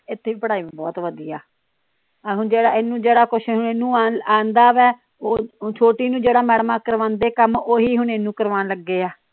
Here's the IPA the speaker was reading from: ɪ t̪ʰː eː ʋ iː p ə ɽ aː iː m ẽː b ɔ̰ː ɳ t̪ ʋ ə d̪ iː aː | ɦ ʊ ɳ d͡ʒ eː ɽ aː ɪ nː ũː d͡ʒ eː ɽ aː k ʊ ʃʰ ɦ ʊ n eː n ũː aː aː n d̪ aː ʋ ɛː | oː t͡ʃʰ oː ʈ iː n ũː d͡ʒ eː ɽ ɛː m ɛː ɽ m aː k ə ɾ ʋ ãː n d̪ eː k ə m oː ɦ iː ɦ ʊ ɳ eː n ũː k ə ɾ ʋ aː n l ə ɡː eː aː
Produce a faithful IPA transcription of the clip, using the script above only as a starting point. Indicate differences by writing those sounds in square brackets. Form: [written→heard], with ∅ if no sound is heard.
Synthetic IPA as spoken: ɪ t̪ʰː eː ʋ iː p ə ɽ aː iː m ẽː b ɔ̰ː [ɳ→∅] t̪ ʋ ə d̪ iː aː | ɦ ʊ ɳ d͡ʒ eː ɽ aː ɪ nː ũː d͡ʒ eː ɽ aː k ʊ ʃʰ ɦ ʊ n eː n ũː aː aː n d̪ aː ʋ ɛː | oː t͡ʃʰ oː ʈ iː n ũː d͡ʒ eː ɽ [ɛː→aː] m ɛː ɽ m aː k ə ɾ ʋ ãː n d̪ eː k ə m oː ɦ iː ɦ ʊ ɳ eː n ũː k ə ɾ ʋ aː n l ə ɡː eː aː

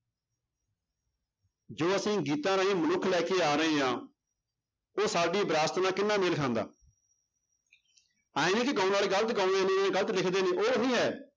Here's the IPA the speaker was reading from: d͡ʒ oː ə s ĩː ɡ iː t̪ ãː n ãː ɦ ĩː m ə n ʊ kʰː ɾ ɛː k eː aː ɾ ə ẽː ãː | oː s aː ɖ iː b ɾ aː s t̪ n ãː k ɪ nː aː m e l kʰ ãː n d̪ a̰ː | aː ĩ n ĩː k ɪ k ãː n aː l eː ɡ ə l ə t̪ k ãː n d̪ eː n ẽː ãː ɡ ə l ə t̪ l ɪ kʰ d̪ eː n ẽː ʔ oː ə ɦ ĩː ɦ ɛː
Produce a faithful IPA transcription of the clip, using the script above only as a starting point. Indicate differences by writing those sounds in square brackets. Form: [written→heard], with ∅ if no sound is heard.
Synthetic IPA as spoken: d͡ʒ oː ə s ĩː ɡ iː t̪ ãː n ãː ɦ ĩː m ə n ʊ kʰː [ɾ→l] ɛː k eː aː ɾ ə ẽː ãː | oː s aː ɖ iː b ɾ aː s t̪ n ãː k ɪ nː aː m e l kʰ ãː n d̪ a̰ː | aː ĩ n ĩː k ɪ k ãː n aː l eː ɡ ə l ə t̪ k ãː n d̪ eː n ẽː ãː ɡ ə l ə t̪ l ɪ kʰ d̪ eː n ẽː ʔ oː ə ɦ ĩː ɦ ɛː

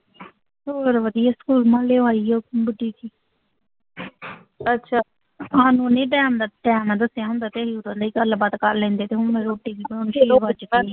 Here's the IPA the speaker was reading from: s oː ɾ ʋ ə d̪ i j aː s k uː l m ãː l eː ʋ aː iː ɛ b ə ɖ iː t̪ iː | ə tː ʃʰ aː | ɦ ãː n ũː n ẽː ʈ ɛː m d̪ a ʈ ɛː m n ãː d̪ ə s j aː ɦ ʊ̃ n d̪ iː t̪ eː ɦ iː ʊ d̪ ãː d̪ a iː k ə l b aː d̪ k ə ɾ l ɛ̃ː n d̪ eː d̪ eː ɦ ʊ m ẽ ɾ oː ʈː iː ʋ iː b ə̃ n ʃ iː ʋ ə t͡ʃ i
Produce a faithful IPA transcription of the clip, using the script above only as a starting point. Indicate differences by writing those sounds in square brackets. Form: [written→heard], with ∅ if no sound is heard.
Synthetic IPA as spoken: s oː ɾ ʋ ə d̪ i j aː s k uː l m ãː l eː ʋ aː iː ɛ b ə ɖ iː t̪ iː | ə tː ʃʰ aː | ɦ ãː n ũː n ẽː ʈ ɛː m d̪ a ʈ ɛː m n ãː d̪ ə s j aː ɦ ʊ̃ n d̪ [iː→aː] t̪ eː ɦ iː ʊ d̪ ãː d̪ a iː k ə l b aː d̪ k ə ɾ l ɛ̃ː n d̪ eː [d̪→t̪] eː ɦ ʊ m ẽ ɾ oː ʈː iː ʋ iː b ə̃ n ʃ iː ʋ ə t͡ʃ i

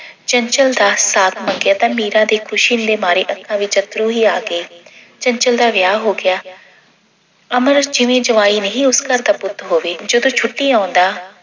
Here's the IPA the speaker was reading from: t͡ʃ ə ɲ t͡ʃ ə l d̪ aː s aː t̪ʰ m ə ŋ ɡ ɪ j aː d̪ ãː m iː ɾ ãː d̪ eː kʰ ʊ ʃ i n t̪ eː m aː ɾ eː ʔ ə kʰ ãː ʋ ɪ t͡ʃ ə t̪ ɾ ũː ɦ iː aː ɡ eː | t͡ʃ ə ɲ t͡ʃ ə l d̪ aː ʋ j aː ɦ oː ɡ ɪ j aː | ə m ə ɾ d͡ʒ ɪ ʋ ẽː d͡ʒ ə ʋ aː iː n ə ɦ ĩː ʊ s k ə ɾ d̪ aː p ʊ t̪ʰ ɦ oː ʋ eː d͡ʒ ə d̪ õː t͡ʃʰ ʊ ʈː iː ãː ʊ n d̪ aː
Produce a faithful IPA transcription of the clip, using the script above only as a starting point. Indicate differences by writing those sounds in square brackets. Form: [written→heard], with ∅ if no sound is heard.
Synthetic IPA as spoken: t͡ʃ ə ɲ t͡ʃ ə l d̪ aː s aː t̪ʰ m ə ŋ ɡ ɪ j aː [d̪→t̪] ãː m iː ɾ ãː d̪ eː kʰ ʊ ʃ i n [t̪→d̪] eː m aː ɾ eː ʔ ə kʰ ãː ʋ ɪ t͡ʃ ə t̪ ɾ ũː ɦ iː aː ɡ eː | t͡ʃ ə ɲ t͡ʃ ə l d̪ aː ʋ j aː ɦ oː ɡ ɪ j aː | ə m ə ɾ d͡ʒ ɪ ʋ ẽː d͡ʒ ə ʋ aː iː n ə ɦ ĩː ʊ s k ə ɾ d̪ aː p ʊ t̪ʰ ɦ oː ʋ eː d͡ʒ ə d̪ õː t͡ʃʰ ʊ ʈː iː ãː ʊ n d̪ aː

